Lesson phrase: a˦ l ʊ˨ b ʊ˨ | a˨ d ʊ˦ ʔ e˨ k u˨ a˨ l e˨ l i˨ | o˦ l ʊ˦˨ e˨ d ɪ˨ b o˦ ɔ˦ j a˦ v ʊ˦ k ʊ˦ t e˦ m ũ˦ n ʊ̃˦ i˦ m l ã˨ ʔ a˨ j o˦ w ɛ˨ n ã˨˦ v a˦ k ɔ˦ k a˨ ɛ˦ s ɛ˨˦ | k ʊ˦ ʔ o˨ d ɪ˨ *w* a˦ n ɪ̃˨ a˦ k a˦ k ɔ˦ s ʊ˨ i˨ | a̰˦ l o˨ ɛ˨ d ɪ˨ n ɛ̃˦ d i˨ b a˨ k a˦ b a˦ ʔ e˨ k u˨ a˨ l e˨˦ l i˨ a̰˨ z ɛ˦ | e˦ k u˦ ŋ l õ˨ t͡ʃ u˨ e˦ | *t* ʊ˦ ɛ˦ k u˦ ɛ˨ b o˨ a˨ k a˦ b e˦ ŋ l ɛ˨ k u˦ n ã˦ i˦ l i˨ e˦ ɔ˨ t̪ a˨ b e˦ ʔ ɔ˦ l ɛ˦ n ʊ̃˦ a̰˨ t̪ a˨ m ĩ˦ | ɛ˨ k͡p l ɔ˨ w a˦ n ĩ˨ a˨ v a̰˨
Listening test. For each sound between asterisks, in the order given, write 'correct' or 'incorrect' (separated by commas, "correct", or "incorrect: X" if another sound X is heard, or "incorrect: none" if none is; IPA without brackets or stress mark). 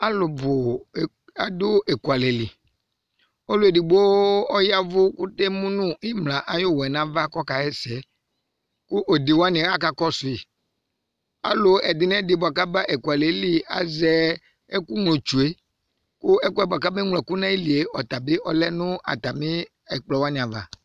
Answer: correct, incorrect: k